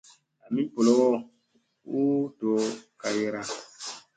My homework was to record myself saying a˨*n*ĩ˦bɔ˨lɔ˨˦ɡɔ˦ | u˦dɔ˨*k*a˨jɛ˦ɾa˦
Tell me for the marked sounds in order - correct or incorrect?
incorrect: m, correct

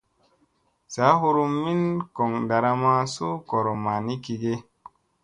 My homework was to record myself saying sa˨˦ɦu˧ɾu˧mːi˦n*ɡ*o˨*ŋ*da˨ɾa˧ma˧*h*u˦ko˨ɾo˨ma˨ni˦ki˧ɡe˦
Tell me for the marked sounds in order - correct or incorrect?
incorrect: k, correct, incorrect: s

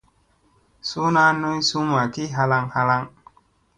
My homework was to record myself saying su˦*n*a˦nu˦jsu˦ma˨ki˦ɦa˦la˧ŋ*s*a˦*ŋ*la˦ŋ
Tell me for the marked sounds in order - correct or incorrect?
correct, incorrect: h, incorrect: none

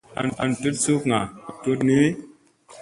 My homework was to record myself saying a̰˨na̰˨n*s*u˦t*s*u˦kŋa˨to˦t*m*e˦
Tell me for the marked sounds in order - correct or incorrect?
incorrect: t, correct, incorrect: n

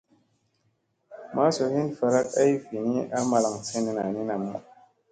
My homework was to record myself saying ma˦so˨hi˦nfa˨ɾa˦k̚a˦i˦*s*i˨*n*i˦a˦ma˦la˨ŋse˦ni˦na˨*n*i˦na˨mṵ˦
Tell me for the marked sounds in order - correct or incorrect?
incorrect: f, correct, correct

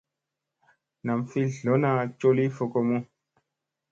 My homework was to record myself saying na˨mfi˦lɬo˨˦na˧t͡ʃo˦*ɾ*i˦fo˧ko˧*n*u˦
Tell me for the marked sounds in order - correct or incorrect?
incorrect: l, incorrect: m

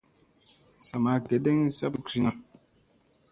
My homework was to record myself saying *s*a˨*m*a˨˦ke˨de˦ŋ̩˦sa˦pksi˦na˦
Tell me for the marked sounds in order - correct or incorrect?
correct, correct

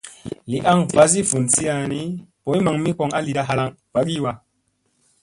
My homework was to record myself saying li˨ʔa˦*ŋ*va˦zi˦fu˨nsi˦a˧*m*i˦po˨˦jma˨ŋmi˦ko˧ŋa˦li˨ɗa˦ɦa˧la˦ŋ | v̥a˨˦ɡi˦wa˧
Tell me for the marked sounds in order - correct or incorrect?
correct, incorrect: n

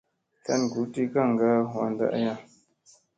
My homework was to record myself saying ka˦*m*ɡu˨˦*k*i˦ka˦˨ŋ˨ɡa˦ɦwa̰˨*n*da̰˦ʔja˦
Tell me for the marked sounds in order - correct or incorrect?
incorrect: n, incorrect: t, correct

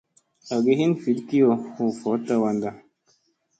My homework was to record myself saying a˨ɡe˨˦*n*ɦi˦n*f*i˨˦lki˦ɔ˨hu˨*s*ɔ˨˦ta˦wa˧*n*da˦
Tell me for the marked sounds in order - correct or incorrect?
incorrect: none, correct, incorrect: f, correct

